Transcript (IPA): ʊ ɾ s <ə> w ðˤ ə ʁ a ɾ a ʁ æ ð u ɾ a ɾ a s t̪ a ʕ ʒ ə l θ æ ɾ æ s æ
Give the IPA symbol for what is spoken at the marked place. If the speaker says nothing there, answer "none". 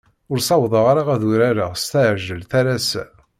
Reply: ɑ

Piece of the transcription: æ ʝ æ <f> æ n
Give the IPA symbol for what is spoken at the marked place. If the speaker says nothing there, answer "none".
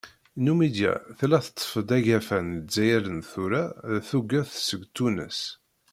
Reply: f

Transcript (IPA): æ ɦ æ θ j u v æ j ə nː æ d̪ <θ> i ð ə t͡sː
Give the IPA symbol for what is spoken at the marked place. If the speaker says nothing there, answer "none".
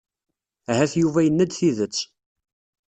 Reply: θ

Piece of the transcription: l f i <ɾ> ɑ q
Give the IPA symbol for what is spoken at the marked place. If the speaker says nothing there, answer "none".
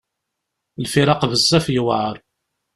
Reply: ɾ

